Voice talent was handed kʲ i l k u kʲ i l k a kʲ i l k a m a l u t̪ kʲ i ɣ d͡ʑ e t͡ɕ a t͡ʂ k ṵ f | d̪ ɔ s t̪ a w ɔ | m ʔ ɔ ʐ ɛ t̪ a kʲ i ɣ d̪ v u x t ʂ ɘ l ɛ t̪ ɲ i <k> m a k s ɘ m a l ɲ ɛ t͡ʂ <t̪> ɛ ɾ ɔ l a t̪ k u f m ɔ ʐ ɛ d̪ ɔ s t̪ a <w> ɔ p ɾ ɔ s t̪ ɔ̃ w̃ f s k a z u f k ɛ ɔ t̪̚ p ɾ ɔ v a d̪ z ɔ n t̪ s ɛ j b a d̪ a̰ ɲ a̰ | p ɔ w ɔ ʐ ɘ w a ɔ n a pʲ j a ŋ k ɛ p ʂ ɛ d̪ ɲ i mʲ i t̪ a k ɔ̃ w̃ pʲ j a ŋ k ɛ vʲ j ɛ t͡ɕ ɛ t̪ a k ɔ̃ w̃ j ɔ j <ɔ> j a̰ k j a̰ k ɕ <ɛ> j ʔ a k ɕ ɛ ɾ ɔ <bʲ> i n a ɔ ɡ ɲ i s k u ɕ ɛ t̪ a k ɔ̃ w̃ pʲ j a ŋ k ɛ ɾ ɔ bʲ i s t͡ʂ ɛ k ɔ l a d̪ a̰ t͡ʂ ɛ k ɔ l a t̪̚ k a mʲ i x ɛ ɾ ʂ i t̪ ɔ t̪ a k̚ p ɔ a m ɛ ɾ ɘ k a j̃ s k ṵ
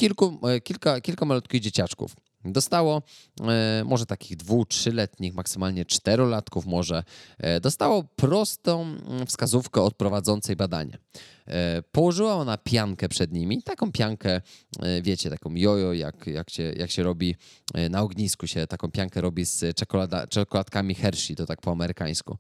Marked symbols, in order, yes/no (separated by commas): no, yes, yes, yes, yes, yes